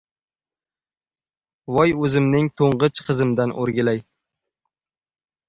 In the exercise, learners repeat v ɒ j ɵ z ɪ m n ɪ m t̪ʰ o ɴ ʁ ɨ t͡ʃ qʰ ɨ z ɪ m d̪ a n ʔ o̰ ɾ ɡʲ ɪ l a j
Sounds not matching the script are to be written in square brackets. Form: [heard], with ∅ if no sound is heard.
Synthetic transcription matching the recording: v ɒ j ɵ z ɪ m n ɪ [ŋ] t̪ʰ o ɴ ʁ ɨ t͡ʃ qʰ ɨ z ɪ m d̪ a n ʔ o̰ ɾ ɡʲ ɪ l a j